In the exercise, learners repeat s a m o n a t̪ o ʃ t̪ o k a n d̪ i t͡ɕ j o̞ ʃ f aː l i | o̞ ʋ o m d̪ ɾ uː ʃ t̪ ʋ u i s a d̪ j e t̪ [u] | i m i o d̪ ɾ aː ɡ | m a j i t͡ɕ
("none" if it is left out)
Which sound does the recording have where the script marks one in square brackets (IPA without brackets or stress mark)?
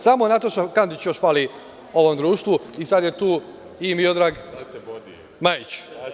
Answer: uː